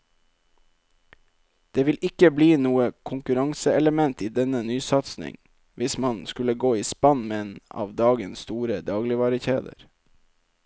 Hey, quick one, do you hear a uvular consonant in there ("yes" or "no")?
no